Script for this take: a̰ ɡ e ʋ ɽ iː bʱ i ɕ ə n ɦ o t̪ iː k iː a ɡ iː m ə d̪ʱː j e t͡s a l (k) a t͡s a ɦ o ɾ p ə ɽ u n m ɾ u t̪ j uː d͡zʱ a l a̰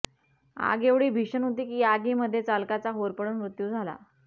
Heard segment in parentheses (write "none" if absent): k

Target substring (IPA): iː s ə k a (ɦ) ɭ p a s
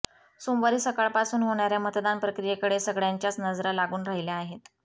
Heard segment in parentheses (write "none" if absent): none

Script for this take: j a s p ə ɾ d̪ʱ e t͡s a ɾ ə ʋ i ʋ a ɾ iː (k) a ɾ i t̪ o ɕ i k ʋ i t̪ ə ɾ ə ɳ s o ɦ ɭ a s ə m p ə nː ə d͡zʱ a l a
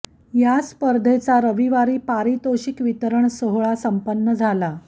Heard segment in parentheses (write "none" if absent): p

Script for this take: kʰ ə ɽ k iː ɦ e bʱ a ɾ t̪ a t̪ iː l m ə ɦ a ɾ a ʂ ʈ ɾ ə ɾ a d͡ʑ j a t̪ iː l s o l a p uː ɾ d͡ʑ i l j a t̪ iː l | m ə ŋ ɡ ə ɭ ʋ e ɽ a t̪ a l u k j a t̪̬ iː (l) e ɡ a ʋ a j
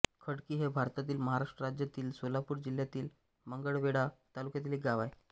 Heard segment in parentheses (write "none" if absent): l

